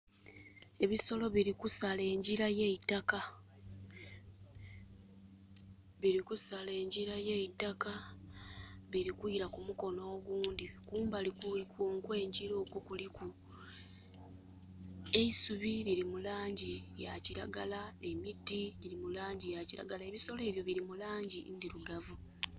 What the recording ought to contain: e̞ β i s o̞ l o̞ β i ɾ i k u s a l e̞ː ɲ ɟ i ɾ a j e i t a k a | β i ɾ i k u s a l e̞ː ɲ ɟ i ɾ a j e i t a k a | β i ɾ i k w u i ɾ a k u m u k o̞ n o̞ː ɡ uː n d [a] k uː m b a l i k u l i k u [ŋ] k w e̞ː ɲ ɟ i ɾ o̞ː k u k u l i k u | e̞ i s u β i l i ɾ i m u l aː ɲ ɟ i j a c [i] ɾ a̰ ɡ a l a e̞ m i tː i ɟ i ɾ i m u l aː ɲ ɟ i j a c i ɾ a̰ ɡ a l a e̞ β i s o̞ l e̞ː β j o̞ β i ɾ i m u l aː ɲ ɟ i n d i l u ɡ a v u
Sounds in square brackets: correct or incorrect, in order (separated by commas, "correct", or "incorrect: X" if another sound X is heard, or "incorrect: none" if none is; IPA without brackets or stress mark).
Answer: incorrect: i, correct, correct